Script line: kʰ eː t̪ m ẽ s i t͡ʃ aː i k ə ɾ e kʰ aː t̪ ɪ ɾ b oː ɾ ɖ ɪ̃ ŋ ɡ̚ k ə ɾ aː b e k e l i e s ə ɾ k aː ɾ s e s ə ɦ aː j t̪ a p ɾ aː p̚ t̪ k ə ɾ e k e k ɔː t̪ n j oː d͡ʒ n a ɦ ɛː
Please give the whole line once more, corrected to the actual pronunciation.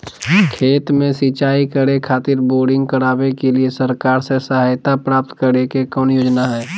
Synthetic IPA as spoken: kʰ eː t̪ m ẽ s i t͡ʃ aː i k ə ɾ e kʰ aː t̪ ɪ ɾ b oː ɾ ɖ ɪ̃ ŋ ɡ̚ k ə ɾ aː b e k e l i e s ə ɾ k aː ɾ s e s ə ɦ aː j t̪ a p ɾ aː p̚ t̪ k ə ɾ e k e k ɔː n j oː d͡ʒ n a ɦ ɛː